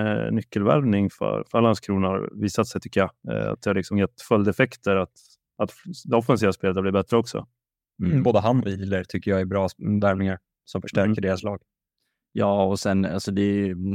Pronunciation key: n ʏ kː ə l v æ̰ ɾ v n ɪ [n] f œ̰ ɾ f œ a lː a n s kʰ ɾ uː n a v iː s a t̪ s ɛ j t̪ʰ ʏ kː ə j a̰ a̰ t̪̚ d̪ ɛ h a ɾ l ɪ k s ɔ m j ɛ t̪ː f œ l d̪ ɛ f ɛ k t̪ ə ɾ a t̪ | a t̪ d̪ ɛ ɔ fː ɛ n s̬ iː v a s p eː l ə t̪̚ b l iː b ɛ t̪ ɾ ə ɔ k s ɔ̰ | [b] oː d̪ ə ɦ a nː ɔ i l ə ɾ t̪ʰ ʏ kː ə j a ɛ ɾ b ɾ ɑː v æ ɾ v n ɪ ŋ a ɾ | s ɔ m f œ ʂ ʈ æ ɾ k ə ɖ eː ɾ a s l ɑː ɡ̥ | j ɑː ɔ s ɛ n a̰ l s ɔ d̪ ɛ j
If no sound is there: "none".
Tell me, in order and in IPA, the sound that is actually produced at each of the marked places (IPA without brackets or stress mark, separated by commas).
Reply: ŋ, b